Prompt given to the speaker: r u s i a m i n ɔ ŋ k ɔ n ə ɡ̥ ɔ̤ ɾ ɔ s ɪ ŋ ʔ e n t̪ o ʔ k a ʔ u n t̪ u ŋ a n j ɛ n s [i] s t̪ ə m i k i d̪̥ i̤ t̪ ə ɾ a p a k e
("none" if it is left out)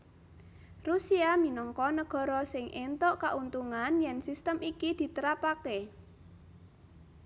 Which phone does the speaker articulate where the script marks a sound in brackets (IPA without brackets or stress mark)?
i